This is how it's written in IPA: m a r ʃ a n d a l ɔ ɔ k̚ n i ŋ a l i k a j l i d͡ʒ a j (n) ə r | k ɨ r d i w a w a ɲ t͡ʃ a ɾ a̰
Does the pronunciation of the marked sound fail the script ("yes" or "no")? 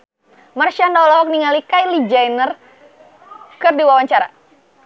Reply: no